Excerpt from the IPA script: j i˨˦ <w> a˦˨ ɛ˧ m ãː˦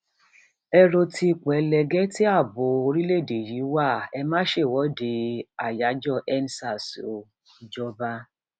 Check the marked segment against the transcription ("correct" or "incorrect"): correct